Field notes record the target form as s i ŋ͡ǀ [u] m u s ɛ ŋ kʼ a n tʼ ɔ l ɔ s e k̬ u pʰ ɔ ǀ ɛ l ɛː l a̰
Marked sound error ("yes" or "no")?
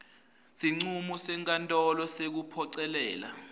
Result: no